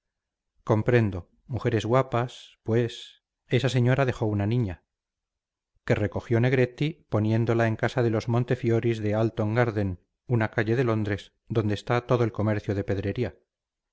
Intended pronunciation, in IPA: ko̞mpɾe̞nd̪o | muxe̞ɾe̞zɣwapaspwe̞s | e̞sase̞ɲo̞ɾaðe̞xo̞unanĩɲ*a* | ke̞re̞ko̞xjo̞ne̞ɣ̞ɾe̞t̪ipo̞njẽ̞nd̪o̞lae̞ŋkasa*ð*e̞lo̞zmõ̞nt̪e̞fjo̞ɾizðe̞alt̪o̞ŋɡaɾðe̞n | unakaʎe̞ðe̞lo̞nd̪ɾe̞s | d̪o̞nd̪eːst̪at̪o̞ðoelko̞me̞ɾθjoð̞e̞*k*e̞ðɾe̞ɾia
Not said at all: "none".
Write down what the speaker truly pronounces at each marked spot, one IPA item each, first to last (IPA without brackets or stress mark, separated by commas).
a, ð, p